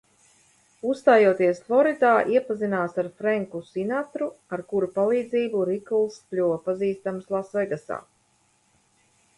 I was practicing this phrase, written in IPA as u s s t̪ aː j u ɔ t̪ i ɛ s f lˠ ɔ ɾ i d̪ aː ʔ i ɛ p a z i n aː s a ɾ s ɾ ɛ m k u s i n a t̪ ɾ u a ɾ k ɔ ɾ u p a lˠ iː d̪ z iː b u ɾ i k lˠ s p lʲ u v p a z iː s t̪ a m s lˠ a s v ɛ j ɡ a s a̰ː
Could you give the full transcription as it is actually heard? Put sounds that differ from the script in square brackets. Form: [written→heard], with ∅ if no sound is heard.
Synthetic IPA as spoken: u s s t̪ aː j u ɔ t̪ i ɛ s f lˠ ɔ ɾ i d̪ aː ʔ i ɛ p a z i n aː s a ɾ [s→f] ɾ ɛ [m→ŋ] k u s i n a t̪ ɾ u a ɾ k [ɔ→u] ɾ u p a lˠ iː d̪ z iː b u ɾ i k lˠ s p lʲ u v p a z iː s t̪ a m s lˠ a s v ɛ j ɡ a s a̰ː